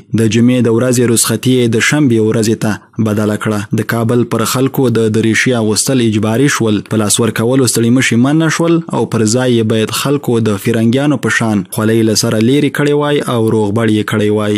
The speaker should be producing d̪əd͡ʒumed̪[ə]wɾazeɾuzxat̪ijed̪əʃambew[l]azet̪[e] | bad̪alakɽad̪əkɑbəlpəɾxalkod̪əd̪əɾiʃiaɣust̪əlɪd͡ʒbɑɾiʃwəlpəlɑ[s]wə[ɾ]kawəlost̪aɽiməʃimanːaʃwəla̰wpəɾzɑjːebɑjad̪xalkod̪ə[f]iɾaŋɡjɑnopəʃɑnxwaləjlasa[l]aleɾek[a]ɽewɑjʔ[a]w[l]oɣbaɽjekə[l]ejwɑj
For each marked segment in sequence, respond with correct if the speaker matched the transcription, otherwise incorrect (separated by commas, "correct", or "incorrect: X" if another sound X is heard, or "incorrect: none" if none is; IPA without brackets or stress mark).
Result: correct, incorrect: ɾ, incorrect: a, correct, correct, correct, incorrect: ɾ, incorrect: ə, correct, incorrect: ɾ, incorrect: ɽ